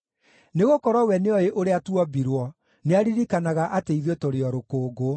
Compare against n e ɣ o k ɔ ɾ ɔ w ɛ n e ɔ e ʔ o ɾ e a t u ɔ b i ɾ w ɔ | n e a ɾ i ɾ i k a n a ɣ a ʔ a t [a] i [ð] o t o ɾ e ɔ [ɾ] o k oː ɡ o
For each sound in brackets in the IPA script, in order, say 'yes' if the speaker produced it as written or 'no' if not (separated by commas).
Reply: no, yes, yes